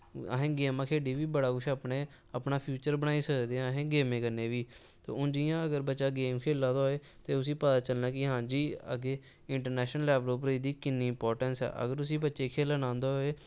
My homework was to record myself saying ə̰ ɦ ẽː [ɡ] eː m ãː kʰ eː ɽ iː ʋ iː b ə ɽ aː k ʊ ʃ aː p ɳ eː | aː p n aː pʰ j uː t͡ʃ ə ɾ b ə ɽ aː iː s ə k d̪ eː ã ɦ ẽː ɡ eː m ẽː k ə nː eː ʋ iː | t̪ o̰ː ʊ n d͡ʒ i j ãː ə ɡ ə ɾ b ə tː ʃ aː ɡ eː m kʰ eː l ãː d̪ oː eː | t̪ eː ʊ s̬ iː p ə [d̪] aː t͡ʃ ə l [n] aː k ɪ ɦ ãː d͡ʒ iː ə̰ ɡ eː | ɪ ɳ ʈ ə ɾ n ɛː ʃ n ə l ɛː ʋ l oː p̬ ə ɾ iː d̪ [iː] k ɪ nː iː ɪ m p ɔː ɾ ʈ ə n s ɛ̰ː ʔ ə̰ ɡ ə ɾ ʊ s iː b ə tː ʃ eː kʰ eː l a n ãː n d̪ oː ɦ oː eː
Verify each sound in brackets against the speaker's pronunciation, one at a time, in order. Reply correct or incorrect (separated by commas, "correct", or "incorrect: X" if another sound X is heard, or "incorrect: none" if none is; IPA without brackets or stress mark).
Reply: correct, incorrect: t̪, correct, correct